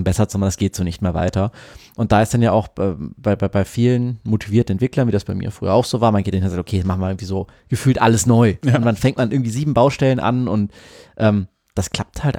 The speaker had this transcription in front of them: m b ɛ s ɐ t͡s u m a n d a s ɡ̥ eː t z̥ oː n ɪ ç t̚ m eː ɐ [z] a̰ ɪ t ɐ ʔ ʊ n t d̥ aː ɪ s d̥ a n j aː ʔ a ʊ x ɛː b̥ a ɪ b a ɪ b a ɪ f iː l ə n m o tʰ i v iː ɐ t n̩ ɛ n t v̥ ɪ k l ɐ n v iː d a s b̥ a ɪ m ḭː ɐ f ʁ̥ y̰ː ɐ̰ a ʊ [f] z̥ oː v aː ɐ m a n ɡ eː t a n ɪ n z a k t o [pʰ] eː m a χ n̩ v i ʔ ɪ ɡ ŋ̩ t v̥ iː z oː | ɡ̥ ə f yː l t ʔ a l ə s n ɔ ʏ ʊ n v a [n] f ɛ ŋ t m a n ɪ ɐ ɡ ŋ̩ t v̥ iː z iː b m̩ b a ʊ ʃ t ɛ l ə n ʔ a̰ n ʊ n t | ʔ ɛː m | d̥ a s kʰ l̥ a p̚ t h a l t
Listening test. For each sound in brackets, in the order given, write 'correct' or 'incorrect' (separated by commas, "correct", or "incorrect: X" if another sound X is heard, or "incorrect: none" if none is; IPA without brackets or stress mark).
incorrect: v, incorrect: x, incorrect: kʰ, correct